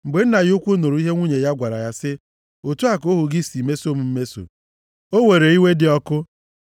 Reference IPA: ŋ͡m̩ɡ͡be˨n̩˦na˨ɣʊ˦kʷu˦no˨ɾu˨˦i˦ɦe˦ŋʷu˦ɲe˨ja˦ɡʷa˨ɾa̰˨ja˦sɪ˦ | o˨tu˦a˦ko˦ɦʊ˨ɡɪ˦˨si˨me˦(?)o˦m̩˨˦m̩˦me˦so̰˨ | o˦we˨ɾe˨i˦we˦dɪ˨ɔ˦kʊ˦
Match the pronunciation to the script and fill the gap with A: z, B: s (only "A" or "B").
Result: B